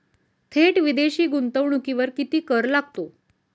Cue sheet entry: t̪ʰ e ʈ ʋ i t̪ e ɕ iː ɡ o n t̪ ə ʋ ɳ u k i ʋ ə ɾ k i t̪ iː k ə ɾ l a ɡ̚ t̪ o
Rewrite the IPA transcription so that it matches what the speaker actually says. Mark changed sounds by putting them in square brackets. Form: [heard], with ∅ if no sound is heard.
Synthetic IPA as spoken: t̪ʰ e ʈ ʋ i [d̪] e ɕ iː ɡ [u] n t̪ ə ʋ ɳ u k i ʋ ə ɾ k i t̪ iː k ə ɾ l a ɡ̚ t̪ o